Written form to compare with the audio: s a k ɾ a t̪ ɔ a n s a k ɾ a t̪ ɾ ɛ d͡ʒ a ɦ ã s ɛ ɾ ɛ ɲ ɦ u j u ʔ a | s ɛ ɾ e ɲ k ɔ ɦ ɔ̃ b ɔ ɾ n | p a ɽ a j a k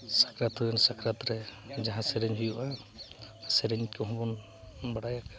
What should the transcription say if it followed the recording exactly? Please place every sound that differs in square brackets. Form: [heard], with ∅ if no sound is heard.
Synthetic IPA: s a k ɾ a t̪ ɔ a n s a k ɾ a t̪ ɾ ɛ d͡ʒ a ɦ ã s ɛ ɾ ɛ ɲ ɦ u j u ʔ a | s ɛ ɾ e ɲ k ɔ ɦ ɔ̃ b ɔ [∅] n | [b] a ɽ a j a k